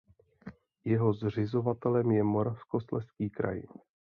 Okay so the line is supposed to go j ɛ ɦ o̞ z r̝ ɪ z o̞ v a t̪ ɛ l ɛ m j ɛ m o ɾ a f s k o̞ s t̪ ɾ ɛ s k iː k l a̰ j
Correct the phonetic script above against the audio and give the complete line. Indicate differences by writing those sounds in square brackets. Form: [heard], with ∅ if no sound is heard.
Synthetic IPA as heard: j ɛ ɦ o̞ z r̝ ɪ z o̞ v a t̪ ɛ l ɛ m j ɛ m o ɾ a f s k o̞ s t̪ [l] ɛ s k iː k [ɾ] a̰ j